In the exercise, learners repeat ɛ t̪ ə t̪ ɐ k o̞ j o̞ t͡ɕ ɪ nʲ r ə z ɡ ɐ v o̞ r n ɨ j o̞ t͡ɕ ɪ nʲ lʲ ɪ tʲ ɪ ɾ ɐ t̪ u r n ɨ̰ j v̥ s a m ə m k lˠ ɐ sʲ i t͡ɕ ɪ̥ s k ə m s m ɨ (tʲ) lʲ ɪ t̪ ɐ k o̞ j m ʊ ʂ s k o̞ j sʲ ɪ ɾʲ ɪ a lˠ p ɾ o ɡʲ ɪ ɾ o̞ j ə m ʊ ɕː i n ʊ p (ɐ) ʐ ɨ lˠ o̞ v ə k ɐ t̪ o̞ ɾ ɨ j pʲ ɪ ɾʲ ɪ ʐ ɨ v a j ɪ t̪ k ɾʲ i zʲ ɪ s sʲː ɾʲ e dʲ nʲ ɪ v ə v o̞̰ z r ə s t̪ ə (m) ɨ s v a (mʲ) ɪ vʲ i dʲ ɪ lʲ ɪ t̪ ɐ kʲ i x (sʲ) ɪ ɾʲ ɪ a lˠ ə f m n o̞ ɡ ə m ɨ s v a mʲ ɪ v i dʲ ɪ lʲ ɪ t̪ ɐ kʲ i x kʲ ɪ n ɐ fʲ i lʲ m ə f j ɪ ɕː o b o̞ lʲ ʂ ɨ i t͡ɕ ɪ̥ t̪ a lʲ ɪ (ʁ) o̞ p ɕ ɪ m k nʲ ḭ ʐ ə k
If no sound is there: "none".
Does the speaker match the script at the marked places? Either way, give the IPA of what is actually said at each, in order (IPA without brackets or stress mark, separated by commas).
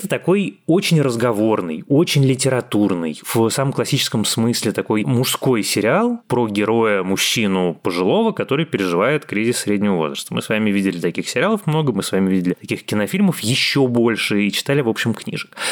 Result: sʲ, ə, m, mʲ, sʲ, v